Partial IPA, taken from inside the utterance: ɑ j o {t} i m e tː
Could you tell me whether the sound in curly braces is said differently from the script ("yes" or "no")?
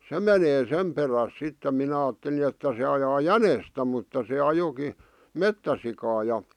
yes